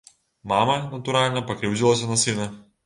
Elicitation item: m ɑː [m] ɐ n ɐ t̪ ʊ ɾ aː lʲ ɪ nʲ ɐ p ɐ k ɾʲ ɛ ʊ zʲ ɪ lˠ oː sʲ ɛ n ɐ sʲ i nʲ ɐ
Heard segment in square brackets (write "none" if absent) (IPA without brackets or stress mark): m